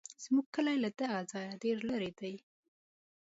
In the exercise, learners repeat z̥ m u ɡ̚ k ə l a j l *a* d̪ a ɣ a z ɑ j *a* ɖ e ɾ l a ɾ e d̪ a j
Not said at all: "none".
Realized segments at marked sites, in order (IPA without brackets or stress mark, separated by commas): a, a